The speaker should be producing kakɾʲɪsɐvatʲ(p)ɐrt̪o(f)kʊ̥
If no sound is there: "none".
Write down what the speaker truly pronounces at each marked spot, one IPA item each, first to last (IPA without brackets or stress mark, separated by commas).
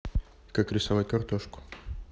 k, ʂ